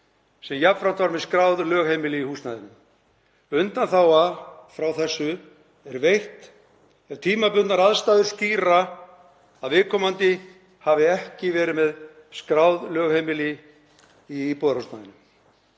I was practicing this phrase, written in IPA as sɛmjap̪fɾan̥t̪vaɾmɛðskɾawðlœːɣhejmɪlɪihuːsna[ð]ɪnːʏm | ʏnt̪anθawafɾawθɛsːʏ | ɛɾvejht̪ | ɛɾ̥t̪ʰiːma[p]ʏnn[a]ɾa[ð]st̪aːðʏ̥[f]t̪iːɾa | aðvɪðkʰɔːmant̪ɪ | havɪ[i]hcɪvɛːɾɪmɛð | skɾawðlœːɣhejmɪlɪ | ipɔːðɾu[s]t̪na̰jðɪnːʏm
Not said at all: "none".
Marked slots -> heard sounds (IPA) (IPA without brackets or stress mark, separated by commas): ð, p, a, ð, s, ɛ, s